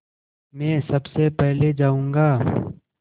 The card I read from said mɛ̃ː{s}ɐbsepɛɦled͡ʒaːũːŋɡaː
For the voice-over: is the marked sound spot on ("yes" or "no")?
yes